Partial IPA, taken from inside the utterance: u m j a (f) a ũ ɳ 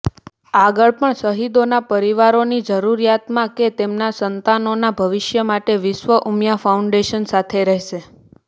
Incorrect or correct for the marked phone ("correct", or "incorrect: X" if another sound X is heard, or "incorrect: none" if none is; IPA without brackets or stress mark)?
correct